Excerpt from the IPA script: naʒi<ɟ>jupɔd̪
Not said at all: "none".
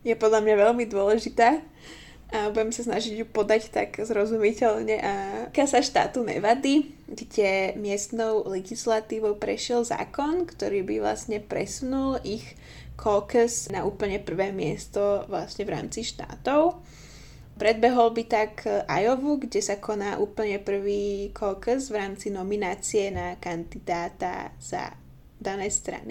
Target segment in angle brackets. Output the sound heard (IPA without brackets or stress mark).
ɟ